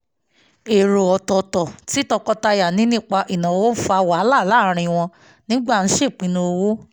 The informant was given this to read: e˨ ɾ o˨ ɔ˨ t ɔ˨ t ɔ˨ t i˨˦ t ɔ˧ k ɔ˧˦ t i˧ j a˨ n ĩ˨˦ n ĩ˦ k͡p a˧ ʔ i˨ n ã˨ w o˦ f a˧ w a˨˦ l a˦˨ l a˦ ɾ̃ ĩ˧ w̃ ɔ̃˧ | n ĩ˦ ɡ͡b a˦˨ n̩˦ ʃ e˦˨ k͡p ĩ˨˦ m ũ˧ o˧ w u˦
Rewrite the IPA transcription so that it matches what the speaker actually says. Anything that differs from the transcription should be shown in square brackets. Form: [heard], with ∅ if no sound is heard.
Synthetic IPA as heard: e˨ ɾ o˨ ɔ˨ t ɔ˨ t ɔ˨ t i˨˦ t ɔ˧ k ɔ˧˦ t [a˧] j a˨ n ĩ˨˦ n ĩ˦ k͡p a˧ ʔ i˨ n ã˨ w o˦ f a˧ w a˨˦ l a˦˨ l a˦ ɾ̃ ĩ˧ w̃ ɔ̃˧ | n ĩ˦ ɡ͡b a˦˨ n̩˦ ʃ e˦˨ k͡p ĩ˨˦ [n] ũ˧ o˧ w [o˦]